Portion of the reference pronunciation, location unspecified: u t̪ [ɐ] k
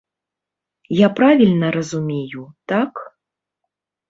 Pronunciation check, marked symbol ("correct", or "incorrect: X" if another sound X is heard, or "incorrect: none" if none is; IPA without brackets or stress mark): incorrect: a